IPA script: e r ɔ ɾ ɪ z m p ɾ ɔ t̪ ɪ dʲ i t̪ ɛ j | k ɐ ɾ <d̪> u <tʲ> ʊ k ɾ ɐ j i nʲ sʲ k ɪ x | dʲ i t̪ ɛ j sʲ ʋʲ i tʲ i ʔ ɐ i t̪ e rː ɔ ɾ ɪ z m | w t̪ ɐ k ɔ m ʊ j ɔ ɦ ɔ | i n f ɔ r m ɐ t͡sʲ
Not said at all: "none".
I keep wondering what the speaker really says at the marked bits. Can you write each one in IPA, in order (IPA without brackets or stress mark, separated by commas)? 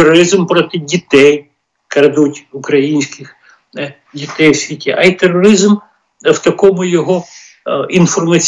d̪, tʲ